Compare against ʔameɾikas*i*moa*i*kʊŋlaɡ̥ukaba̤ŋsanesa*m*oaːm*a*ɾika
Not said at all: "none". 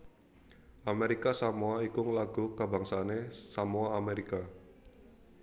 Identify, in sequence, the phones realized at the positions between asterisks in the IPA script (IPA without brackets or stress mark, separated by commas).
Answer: a, i, m, e